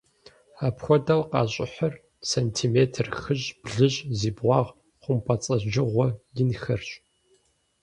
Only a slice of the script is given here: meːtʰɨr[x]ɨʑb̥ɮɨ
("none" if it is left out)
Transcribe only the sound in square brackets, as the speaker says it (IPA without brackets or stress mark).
x